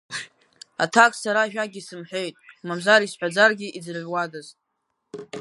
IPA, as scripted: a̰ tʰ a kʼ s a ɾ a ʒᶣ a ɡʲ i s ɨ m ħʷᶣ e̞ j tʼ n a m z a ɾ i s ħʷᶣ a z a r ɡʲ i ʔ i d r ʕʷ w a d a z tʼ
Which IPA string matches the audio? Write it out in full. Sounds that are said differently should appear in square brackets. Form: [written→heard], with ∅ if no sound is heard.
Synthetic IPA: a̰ tʰ a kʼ s a ɾ a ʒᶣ a ɡʲ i s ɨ m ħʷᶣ e̞ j tʼ [n→m] a m z a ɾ i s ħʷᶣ a [z→d͡z] a r ɡʲ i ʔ i [d→d͡z] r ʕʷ w a d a z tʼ